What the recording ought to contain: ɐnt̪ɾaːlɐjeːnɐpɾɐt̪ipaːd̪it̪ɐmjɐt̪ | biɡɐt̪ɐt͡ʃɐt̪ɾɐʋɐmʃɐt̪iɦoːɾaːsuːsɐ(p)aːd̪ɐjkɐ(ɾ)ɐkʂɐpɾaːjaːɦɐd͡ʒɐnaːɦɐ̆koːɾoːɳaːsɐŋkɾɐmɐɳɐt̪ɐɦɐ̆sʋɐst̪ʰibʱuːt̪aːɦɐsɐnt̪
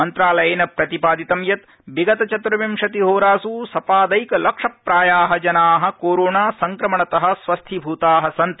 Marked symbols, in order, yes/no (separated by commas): yes, no